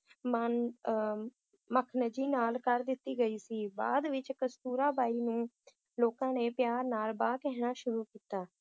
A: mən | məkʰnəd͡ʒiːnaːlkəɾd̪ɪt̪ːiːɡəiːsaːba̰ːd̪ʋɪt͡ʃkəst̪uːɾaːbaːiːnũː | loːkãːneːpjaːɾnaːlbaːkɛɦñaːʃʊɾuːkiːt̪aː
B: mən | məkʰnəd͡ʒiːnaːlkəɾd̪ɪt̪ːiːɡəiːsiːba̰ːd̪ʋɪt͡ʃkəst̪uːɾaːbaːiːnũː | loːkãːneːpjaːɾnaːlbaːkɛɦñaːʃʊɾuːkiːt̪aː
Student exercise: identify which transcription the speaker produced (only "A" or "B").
B